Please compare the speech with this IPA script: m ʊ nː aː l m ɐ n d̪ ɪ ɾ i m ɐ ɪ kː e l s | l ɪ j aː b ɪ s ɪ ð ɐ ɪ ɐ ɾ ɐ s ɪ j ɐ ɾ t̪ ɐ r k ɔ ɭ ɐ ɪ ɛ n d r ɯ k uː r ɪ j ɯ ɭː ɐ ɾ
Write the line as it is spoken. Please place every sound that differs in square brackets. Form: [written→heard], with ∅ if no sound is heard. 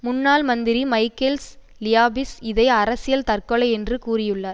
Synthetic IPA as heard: m ʊ nː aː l m ɐ n d̪ ɪ ɾ i m ɐ ɪ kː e l s | l ɪ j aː b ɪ s ɪ ð ɐ ɪ ɐ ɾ ɐ s ɪ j ɐ [ɾ→l] t̪ ɐ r k ɔ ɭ ɐ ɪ ɛ n d r ɯ k uː r ɪ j ɯ ɭː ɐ ɾ